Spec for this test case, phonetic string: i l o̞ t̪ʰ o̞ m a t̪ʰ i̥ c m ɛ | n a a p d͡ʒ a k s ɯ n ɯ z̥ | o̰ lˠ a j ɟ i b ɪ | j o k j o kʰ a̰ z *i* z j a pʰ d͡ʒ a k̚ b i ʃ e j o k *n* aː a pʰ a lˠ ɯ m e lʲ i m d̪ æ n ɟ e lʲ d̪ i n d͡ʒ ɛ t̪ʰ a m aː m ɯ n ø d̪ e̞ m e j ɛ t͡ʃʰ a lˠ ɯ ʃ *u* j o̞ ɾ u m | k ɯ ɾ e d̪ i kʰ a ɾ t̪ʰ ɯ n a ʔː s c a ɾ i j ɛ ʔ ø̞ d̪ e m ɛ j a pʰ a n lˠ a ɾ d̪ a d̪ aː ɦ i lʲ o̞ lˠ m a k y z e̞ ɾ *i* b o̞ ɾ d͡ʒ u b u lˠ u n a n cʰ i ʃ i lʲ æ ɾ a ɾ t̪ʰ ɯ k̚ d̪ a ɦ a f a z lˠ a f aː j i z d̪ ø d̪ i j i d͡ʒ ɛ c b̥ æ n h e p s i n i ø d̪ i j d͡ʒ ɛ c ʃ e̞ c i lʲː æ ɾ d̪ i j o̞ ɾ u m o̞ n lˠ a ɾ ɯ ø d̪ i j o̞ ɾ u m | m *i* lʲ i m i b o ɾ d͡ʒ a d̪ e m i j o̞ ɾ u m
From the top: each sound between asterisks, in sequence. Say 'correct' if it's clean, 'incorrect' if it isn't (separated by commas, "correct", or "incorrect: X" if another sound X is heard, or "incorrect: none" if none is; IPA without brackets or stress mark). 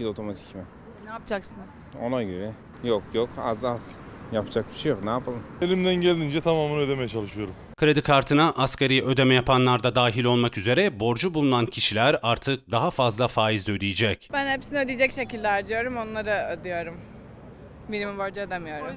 incorrect: a, correct, incorrect: ɯ, incorrect: ɛ, correct